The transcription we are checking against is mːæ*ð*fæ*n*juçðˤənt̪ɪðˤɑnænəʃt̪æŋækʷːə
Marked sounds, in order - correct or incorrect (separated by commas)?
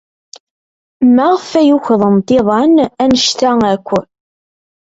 incorrect, incorrect